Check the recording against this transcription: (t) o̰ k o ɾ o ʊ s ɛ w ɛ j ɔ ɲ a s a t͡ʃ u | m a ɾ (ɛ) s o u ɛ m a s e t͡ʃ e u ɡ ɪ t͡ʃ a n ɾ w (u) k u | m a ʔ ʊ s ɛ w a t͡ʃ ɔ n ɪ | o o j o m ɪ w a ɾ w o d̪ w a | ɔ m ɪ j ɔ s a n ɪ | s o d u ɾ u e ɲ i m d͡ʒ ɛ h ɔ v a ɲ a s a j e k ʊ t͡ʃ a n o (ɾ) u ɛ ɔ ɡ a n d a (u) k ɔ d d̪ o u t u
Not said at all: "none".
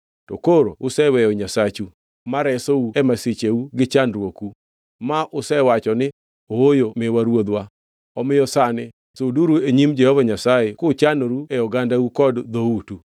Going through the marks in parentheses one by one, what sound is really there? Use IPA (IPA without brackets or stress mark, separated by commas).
t, ɛ, o, ɾ, u